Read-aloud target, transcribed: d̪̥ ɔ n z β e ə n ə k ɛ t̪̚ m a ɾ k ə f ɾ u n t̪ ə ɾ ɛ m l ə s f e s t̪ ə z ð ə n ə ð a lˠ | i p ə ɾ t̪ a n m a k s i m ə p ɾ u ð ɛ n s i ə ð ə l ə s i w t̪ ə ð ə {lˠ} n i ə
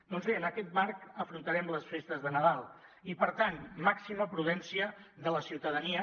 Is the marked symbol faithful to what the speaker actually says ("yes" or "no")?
no